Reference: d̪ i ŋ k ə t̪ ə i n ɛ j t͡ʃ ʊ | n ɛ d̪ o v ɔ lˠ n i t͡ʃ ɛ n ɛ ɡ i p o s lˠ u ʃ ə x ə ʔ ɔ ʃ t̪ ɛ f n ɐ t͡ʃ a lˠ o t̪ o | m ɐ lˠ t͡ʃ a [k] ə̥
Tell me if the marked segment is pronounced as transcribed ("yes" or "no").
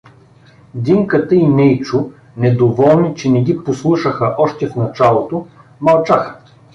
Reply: no